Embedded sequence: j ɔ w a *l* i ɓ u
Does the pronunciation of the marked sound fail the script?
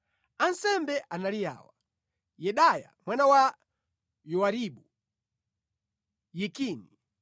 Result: yes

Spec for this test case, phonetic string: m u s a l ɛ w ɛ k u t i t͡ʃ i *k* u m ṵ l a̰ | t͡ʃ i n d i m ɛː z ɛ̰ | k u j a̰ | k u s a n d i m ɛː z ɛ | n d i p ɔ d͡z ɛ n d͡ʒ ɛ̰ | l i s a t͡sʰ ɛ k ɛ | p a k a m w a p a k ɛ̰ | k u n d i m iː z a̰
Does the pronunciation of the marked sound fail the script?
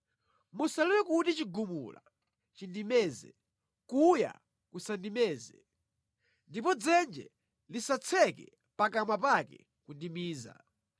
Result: yes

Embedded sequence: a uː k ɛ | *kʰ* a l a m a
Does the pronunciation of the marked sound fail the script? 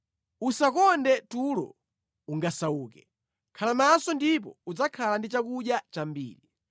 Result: no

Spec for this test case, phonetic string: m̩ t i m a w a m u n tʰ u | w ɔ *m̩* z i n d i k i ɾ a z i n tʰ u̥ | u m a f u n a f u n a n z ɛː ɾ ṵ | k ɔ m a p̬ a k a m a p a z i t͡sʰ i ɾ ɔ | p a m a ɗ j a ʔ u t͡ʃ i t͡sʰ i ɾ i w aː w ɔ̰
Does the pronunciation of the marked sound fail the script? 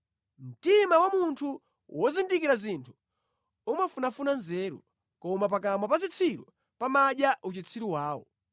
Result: yes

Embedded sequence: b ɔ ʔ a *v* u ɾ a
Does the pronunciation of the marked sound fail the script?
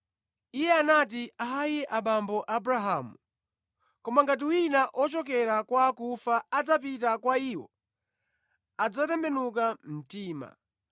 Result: yes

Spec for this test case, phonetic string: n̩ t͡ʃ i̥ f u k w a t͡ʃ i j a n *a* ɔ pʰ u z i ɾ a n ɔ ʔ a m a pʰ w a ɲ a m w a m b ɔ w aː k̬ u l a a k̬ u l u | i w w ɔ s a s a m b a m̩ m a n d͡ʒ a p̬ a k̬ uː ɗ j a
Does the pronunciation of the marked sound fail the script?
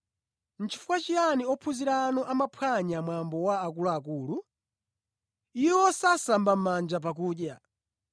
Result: yes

